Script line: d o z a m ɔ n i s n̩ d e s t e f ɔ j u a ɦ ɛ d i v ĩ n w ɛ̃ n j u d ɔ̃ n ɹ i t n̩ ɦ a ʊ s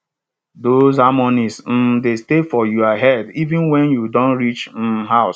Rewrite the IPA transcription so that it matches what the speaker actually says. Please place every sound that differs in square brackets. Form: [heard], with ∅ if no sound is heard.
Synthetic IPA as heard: d o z a m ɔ n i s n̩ d e s t e f ɔ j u a ɦ ɛ d i v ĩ n w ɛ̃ n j u d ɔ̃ n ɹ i [t͡ʃ] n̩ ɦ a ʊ s